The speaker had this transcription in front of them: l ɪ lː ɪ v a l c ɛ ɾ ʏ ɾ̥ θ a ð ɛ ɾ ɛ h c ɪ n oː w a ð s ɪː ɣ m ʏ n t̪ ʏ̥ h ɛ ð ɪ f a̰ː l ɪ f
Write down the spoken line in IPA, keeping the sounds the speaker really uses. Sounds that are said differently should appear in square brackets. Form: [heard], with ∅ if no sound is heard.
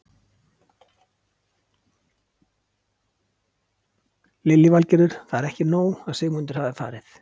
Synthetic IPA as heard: l ɪ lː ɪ v a l c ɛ ɾ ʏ ɾ̥ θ a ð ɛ ɾ ɛ h c ɪ n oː w a ð s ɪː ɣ m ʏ n t̪ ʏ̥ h [a] ð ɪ f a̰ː [ɾ] ɪ [θ]